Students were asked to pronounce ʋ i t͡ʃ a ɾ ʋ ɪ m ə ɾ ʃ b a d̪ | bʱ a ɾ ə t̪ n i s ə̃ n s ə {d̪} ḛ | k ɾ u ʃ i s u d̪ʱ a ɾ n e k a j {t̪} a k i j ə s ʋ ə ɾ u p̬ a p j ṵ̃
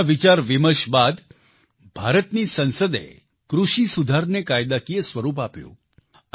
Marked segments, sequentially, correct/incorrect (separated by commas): correct, incorrect